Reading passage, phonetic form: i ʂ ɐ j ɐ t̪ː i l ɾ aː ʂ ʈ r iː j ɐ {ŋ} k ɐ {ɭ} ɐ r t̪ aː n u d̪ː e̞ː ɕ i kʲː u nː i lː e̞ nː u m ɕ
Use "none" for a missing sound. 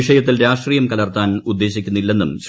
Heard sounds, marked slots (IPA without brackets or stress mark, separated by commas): m, l